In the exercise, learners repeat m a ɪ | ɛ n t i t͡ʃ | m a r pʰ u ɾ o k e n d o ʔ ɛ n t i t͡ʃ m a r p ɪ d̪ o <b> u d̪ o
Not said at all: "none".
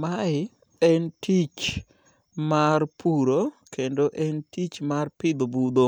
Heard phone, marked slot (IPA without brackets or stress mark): b